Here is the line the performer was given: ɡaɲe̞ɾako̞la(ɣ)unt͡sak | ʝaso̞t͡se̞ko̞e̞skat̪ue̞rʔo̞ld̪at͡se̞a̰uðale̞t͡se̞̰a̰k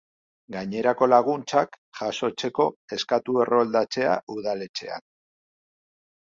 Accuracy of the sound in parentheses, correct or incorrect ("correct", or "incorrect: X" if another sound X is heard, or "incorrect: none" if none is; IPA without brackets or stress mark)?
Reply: correct